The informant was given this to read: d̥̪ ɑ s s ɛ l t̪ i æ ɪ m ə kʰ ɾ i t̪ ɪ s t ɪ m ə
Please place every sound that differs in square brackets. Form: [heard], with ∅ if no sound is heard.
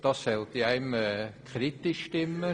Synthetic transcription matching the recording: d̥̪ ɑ s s ɛ l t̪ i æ ɪ m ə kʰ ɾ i t̪ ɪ [ʃ] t ɪ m ə